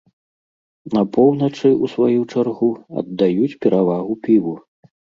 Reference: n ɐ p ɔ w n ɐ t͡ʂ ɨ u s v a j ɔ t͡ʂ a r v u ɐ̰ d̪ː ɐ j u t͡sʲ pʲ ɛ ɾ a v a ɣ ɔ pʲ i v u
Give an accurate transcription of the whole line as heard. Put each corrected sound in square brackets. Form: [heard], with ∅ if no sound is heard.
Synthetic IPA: n ɐ p ɔ w n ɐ t͡ʂ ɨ u s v a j [u] t͡ʂ a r [ɣ] u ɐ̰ d̪ː [a] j u t͡sʲ pʲ ɛ ɾ a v a ɣ [u] pʲ i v u